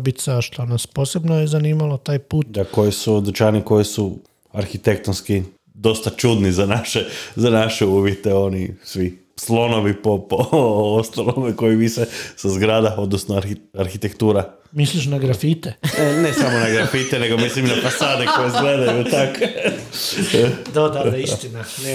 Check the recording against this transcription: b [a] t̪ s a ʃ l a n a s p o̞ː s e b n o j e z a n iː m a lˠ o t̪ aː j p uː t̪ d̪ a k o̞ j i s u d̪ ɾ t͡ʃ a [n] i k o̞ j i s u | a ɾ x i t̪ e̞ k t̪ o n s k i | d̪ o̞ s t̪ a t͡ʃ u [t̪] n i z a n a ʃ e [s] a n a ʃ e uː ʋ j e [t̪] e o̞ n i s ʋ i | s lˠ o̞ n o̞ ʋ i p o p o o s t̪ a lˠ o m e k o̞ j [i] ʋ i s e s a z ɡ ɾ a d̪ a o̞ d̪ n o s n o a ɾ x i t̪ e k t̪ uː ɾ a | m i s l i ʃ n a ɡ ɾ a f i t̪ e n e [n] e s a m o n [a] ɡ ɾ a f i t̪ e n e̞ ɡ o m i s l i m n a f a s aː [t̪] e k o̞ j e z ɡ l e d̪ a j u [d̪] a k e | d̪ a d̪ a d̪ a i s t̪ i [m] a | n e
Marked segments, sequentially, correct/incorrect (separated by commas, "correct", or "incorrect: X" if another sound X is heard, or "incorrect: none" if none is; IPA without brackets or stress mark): incorrect: i, correct, incorrect: d̪, incorrect: z, correct, correct, correct, correct, incorrect: d̪, incorrect: t̪, incorrect: n